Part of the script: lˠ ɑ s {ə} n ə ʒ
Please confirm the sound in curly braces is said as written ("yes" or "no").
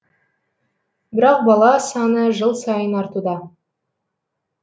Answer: no